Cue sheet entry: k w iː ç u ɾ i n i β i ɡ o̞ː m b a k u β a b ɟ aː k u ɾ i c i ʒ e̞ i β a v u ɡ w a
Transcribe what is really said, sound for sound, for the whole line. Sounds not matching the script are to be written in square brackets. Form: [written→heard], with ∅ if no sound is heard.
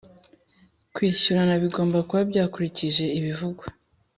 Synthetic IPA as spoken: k w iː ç u ɾ [i→a] n [i→a] β i ɡ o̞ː m b a k u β a b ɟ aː k u ɾ i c i ʒ e̞ i β [a→i] v u ɡ w a